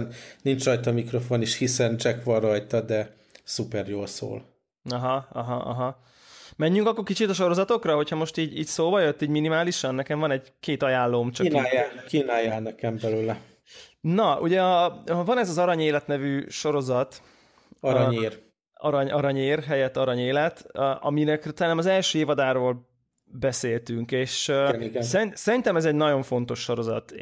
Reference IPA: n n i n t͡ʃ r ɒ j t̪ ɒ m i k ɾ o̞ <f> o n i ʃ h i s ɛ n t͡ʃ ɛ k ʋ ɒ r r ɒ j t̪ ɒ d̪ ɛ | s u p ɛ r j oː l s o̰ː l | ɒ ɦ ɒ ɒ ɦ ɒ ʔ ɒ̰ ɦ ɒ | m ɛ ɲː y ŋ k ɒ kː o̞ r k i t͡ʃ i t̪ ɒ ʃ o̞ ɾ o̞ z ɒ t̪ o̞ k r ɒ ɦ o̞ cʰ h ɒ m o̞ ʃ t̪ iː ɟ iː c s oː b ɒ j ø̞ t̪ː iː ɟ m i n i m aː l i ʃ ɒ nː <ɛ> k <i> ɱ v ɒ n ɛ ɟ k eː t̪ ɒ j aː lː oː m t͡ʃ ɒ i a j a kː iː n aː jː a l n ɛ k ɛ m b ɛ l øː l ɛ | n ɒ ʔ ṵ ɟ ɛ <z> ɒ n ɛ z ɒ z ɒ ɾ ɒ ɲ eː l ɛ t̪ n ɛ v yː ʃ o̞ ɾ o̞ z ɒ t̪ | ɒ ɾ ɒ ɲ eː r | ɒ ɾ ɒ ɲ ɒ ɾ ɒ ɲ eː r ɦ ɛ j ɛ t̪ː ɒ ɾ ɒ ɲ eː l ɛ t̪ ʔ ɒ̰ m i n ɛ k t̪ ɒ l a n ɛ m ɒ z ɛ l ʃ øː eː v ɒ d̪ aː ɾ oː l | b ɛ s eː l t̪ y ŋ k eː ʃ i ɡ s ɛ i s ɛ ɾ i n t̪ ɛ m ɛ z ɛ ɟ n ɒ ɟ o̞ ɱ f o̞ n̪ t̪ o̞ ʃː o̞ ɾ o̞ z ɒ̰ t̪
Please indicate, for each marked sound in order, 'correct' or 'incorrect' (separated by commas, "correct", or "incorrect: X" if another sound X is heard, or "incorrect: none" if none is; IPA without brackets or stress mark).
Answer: correct, correct, incorrect: ɛ, incorrect: v